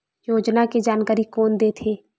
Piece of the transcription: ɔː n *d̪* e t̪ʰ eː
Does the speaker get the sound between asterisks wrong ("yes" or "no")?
no